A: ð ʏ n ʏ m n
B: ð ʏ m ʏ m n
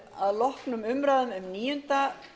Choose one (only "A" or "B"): B